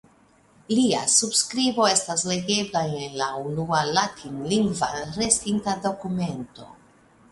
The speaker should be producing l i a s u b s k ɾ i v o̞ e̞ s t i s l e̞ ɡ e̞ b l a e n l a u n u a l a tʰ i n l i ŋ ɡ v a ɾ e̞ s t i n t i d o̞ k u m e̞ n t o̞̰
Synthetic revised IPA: l i a s u b s k ɾ i b o̞ e̞ s t a s l e̞ ɡ e̞ b l a e n l a u n u a l a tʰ i n l i ŋ ɡ v a ɾ e̞ s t i n t a d o̞ k u m e̞ n t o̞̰